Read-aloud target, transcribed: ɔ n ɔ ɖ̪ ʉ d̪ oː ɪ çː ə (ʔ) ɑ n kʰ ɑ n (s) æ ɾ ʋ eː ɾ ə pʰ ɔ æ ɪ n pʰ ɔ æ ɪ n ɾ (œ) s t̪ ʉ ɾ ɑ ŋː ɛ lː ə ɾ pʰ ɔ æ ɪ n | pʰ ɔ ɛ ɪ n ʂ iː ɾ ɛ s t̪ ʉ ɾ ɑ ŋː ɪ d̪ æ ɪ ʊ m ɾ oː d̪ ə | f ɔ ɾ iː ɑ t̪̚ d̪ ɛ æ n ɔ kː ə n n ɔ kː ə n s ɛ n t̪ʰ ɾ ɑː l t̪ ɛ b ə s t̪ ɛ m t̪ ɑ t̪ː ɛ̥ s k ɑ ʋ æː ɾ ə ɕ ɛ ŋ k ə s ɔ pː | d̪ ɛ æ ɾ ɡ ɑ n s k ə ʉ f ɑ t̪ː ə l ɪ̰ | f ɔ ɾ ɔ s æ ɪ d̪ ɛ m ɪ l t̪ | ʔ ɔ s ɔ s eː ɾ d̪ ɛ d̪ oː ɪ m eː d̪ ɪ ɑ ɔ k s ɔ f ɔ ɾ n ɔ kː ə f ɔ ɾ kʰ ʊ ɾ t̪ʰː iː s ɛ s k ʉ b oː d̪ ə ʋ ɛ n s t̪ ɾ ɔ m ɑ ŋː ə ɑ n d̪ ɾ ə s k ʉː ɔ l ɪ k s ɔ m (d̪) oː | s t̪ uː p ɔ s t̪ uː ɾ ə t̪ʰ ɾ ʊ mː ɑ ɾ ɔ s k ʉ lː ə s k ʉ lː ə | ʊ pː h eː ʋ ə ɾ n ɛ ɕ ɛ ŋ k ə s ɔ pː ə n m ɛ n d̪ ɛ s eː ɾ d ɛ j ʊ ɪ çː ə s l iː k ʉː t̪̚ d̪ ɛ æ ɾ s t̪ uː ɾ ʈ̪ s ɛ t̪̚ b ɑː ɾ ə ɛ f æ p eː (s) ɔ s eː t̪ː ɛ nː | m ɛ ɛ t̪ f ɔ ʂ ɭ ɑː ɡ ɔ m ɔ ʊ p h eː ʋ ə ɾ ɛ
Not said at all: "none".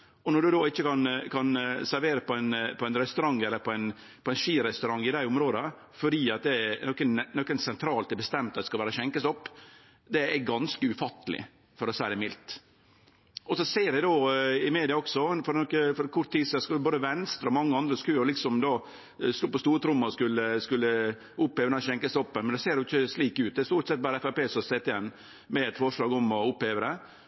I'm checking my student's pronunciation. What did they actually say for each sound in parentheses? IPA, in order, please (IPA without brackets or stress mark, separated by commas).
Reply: k, s, ɛ, d̪, s